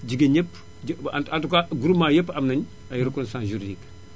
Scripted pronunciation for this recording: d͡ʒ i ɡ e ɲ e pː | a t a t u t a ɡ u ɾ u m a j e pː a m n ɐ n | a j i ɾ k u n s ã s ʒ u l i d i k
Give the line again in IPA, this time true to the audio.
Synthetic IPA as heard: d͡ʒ i ɡ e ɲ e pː | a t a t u k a ɡ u ɾ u m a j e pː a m n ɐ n | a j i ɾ k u n s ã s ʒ u ɾ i d i k